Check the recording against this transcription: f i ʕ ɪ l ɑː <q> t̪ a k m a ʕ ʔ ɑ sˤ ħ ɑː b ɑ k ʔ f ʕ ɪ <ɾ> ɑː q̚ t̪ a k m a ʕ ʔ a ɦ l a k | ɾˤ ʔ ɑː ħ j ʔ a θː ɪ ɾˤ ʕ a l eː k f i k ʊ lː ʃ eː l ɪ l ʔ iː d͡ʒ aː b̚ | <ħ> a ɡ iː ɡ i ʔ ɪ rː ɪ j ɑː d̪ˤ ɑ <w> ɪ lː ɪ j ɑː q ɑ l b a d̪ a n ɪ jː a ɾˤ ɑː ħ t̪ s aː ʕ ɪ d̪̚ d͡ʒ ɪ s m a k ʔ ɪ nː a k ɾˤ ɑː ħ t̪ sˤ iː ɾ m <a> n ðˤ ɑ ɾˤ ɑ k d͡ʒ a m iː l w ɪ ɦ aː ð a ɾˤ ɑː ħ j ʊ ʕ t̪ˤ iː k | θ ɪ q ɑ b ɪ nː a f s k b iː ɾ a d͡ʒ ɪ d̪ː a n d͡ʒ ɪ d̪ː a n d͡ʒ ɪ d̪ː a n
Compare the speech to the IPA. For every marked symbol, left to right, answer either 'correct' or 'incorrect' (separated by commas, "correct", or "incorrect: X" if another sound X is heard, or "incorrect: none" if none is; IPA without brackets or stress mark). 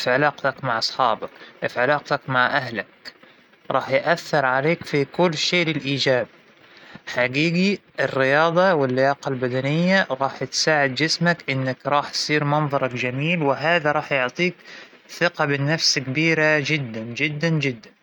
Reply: correct, incorrect: l, correct, correct, incorrect: ɑ